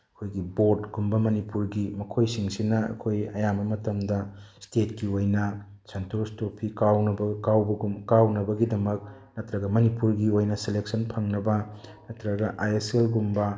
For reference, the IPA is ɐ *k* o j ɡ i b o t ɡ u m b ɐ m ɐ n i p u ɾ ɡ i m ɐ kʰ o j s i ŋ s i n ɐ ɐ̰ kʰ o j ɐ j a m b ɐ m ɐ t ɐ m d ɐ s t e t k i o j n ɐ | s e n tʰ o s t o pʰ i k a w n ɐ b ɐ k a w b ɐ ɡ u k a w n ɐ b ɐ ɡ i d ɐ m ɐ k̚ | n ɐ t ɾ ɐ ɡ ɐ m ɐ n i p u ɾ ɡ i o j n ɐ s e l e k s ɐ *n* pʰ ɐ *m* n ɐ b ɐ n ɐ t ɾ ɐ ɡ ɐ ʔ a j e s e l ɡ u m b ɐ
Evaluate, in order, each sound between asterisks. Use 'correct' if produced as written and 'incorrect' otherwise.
incorrect: kʰ, correct, incorrect: ŋ

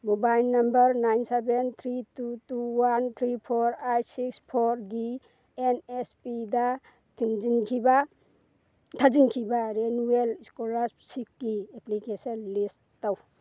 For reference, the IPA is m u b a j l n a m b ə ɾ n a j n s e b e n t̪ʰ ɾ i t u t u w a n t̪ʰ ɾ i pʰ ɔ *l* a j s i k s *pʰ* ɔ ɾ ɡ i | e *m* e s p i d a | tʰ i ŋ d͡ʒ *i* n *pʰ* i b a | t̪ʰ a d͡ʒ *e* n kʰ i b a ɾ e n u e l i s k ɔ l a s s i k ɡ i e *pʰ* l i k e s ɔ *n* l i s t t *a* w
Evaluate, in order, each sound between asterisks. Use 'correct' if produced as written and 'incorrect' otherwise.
incorrect: ɾ, correct, incorrect: n, correct, incorrect: kʰ, incorrect: i, incorrect: p, correct, correct

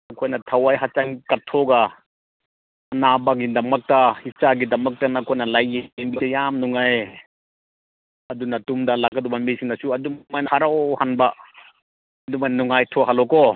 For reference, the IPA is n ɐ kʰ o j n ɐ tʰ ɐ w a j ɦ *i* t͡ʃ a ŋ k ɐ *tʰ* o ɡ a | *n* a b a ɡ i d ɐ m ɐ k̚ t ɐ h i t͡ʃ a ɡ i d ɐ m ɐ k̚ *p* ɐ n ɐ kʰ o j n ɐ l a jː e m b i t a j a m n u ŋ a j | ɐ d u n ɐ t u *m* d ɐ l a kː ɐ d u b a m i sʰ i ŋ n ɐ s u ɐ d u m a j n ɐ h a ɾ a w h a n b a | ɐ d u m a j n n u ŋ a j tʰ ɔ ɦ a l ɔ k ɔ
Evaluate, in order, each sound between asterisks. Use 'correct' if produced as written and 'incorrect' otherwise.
incorrect: a, correct, correct, incorrect: t, correct

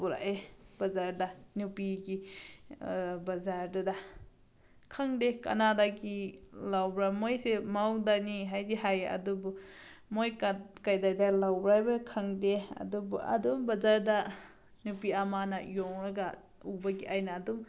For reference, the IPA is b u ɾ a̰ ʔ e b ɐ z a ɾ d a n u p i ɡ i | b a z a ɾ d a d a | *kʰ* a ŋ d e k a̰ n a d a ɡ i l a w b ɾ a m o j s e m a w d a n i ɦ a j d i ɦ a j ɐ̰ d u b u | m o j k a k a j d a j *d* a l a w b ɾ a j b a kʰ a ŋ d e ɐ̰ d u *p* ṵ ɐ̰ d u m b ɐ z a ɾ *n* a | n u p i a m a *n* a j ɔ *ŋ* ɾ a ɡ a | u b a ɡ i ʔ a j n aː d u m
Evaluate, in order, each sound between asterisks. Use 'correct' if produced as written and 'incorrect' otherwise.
correct, correct, incorrect: b, incorrect: d, correct, correct

